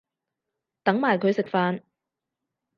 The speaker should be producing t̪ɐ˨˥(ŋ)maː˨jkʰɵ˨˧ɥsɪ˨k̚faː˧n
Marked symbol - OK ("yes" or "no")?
yes